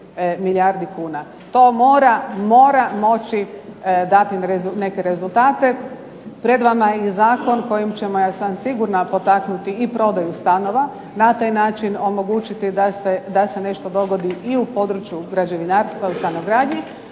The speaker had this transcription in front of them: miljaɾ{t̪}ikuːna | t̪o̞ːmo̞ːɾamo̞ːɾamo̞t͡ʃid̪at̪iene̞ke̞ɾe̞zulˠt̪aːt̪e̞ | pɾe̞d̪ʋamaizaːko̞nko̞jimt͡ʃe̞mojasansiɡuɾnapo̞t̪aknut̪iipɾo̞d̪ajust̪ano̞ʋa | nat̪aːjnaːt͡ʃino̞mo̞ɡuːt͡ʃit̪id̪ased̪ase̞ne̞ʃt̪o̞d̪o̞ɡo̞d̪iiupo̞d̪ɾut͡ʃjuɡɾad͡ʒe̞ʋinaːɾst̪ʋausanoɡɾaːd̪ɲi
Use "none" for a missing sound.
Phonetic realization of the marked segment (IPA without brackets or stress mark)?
d̪